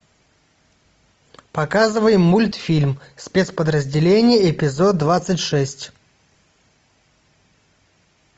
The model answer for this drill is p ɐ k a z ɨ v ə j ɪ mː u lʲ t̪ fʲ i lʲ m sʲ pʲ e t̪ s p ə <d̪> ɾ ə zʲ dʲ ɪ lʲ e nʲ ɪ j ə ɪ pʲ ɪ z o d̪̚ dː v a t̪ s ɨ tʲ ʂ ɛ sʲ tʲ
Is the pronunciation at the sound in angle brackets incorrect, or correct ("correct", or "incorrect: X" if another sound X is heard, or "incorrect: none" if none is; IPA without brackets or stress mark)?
correct